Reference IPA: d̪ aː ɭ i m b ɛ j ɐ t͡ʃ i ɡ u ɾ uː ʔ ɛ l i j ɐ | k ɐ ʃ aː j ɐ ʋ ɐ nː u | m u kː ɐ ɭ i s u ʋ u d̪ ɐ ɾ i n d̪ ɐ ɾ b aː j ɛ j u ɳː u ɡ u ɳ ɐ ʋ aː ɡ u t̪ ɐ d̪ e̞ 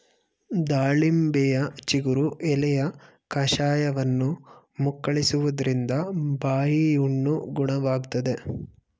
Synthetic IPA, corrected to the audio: d̪ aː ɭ i m b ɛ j ɐ t͡ʃ i ɡ u ɾ u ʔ ɛ l ɛ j ɐ | k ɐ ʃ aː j ɐ ʋ ɐ nː u | m u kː ɐ ɭ i s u ʋ u d̪ ɐ ɾ i n d̪ ɐ b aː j i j u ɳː u ɡ u ɳ ɐ ʋ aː ɡ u t̪ ɐ d̪ e̞